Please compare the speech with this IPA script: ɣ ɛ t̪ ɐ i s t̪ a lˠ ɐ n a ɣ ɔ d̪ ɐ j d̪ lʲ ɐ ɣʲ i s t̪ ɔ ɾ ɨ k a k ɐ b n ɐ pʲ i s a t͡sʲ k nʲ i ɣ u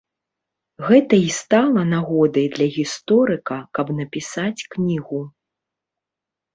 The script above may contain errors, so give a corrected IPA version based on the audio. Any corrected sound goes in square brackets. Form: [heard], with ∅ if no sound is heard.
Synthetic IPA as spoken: ɣ ɛ t̪ ɐ i s t̪ a lˠ ɐ n a ɣ ɔ d̪ ɐ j d̪ lʲ ɐ ɣʲ i s t̪ ɔ ɾ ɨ k [ɐ] k ɐ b n ɐ pʲ i s a t͡sʲ k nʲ i ɣ u